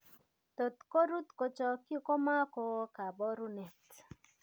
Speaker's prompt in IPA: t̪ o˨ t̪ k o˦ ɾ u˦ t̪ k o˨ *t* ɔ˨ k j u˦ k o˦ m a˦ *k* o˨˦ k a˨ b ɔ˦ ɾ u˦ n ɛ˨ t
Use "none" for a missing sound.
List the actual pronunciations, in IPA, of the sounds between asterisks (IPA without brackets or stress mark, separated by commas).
t͡ʃ, k